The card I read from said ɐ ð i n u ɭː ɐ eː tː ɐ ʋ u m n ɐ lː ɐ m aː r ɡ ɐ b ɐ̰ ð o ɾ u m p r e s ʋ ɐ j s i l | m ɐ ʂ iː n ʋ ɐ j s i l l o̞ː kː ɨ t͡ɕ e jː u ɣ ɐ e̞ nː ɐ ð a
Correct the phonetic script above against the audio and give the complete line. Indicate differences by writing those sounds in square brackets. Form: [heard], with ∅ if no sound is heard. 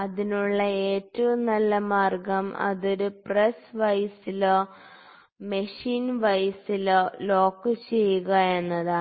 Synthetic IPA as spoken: ɐ ð i n u ɭː ɐ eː tː ɐ ʋ u m n ɐ lː ɐ m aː r ɡ ɐ [m] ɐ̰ ð o ɾ u [∅] p r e s ʋ ɐ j s i l | m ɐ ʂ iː n ʋ ɐ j s i l l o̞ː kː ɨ t͡ɕ e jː u ɣ ɐ e̞ nː ɐ ð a